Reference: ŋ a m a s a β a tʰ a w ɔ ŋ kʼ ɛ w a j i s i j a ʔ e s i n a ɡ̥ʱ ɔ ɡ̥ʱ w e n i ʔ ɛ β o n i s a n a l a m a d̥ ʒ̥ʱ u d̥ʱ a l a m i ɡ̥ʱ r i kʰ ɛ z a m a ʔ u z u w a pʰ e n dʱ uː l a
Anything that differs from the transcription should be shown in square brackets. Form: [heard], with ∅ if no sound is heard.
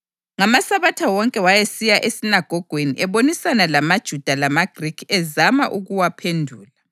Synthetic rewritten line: ŋ a m a s a β a tʰ a w ɔ ŋ kʼ ɛ w a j [e] s i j a ʔ e s i n a ɡ̥ʱ ɔ ɡ̥ʱ w e n i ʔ ɛ β o n i s a n a l a m a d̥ ʒ̥ʱ u d̥ʱ a l a m [a] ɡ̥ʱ r i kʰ ɛ z a m a ʔ u [ɣ] u w a pʰ e n dʱ uː l a